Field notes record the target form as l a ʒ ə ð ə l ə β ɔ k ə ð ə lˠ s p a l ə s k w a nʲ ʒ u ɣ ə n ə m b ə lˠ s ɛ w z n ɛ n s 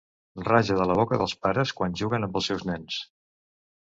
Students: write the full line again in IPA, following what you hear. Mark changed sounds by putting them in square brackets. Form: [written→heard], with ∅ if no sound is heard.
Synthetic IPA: [l→r] a ʒ ə ð ə l ə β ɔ k ə ð ə lˠ s p a [l→ɾ] ə s k w a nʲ ʒ u ɣ ə n ə m b ə lˠ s ɛ w z n ɛ n s